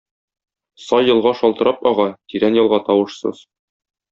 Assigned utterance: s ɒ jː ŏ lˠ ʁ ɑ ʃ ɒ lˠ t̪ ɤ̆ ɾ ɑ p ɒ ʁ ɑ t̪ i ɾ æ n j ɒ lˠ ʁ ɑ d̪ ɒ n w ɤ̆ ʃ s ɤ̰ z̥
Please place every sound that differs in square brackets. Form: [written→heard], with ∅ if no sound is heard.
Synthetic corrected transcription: s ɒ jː [ŏ→ɤ̆] lˠ ʁ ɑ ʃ ɒ lˠ t̪ ɤ̆ ɾ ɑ p ɒ ʁ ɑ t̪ i ɾ æ n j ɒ lˠ ʁ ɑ [d̪→t̪] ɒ [n→∅] w ɤ̆ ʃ s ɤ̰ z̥